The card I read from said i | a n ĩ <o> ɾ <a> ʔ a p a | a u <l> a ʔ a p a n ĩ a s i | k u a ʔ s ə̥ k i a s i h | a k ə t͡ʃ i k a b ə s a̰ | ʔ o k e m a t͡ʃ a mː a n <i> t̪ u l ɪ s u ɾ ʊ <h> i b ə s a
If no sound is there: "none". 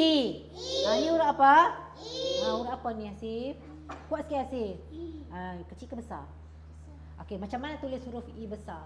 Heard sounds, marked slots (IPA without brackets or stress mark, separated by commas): u, a, ɾ, a, f